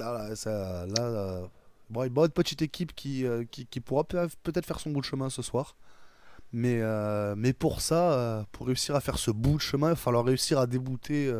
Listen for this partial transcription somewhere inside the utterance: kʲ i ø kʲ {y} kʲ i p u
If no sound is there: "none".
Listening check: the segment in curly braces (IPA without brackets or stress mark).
i